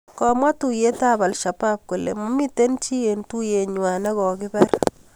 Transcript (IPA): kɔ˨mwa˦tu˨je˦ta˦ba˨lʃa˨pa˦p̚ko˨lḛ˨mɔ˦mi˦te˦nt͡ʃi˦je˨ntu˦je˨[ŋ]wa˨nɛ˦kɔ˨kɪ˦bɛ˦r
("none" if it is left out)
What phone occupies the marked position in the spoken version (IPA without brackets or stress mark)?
ɲ